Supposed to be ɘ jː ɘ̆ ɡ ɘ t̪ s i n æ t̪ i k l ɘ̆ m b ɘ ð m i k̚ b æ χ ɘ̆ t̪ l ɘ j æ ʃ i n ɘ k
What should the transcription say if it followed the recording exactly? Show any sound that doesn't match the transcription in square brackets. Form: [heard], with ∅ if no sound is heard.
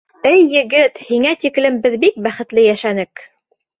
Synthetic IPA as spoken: ɘ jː ɘ̆ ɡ ɘ t̪ [h] i [ŋ] æ t̪ i k l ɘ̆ m b ɘ ð [b] i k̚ b æ χ ɘ̆ t̪ l ɘ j æ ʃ [æ] n ɘ k